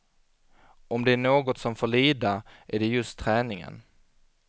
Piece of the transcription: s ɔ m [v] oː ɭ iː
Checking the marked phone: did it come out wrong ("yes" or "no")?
yes